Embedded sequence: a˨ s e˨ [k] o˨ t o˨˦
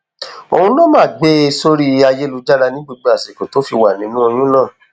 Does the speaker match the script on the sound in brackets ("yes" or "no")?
yes